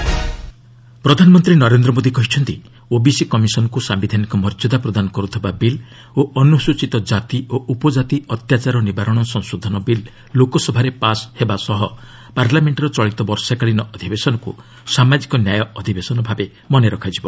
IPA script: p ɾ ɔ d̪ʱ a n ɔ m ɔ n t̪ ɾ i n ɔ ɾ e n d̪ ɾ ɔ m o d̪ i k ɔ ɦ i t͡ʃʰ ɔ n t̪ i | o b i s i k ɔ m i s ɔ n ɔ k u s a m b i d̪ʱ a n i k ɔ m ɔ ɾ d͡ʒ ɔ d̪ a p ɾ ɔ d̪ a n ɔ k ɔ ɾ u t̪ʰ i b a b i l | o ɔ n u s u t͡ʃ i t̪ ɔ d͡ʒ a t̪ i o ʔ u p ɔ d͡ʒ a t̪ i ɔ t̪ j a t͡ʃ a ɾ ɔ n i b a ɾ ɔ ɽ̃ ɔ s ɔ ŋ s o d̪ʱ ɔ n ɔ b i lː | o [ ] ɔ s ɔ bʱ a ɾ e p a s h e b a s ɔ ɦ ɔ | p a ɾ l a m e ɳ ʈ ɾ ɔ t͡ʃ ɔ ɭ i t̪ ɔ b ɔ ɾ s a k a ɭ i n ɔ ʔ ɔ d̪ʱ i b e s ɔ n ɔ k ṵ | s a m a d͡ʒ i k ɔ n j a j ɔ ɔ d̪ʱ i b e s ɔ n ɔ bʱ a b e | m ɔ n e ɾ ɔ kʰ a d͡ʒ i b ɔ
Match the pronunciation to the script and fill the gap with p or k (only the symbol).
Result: k